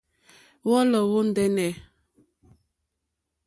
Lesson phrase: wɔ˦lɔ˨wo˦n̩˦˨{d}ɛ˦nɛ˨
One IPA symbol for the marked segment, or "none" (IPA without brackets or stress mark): d